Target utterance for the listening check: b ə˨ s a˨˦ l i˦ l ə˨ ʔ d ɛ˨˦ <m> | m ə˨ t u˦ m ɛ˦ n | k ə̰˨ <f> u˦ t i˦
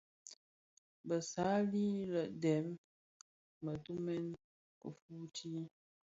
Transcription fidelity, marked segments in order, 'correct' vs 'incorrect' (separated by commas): correct, correct